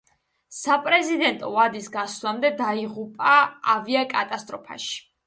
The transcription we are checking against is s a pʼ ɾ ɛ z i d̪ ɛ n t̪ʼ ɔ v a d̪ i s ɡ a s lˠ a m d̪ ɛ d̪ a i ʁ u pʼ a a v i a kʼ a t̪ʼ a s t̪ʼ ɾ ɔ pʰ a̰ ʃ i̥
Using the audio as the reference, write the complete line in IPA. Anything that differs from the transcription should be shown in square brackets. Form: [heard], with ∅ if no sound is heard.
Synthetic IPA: s a pʼ ɾ ɛ z i d̪ ɛ n t̪ʼ ɔ v a d̪ i s ɡ a s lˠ a m d̪ ɛ d̪ a i ʁ u pʼ a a v i a kʼ a t̪ʼ a s t̪ʼ ɾ ɔ pʰ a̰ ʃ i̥